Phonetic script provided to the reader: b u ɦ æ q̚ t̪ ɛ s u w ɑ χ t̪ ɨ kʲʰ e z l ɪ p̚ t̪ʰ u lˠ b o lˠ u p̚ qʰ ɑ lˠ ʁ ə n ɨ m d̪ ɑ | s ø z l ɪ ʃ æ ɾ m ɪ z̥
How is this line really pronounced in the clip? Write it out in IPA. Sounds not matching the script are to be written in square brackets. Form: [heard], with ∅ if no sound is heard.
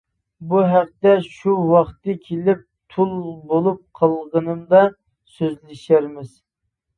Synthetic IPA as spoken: b u ɦ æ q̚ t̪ ɛ [ʃ] u w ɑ χ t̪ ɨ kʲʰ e [∅] l ɪ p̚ t̪ʰ u lˠ b o lˠ u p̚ qʰ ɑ lˠ ʁ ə n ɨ m d̪ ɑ | s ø z l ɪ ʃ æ ɾ m ɪ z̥